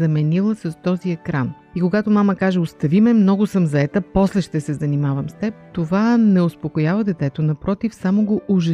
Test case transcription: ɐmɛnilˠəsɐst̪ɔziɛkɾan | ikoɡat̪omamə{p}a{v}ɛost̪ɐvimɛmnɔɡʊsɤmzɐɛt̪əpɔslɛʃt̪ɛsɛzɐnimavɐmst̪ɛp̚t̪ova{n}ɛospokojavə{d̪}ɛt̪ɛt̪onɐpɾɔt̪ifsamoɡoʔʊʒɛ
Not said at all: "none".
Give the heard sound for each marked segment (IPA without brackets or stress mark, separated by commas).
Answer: k, ʒ, n, d̪